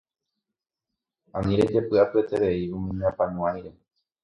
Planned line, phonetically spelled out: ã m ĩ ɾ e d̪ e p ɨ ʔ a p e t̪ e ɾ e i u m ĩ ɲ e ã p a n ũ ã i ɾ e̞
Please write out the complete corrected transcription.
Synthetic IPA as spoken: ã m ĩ ɾ e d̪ e p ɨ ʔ a p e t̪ e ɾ e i u m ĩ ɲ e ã p a n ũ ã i ɾ e̞